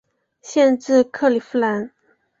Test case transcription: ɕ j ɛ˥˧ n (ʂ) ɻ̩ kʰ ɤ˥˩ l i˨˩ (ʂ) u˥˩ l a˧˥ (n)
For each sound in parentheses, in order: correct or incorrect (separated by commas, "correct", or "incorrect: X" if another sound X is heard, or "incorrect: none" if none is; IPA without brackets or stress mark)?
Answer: incorrect: ʈ͡ʂ, incorrect: f, correct